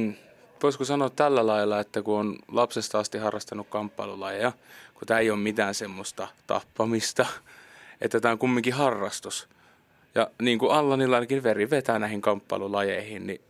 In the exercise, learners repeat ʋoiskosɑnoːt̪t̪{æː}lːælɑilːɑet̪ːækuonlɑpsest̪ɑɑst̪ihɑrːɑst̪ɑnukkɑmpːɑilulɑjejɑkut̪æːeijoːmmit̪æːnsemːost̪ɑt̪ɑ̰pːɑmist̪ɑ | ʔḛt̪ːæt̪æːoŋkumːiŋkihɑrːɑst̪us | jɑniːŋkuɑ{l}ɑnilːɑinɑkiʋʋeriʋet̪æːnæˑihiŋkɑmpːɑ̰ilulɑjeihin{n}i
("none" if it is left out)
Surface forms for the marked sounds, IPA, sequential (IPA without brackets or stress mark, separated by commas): æ, lː, n